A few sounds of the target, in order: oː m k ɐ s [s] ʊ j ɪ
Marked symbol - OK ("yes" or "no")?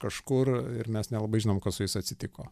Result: yes